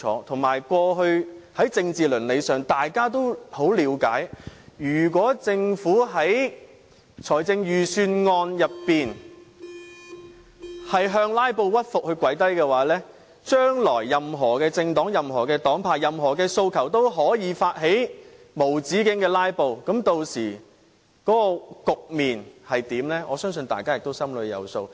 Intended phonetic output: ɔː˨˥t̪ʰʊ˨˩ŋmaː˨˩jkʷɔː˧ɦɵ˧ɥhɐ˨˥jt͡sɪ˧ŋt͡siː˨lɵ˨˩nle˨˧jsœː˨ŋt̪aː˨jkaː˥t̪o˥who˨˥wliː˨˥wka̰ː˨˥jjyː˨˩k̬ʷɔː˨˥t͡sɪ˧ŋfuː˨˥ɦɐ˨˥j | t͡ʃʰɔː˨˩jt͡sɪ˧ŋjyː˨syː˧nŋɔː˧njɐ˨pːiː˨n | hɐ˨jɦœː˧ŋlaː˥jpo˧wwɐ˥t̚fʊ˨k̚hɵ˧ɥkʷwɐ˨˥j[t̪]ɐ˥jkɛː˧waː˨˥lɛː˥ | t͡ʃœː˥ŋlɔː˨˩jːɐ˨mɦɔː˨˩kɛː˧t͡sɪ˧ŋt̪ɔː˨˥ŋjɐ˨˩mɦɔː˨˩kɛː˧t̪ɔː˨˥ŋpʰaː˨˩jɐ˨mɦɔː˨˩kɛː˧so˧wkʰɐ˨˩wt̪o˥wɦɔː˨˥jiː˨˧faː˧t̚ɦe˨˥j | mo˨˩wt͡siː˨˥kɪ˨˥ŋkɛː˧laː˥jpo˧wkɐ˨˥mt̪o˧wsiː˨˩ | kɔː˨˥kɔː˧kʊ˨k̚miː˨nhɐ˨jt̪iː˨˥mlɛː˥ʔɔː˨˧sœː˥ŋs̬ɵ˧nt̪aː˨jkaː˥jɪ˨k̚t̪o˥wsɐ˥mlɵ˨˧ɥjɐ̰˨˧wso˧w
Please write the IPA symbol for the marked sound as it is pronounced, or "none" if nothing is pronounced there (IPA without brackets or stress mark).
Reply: t̪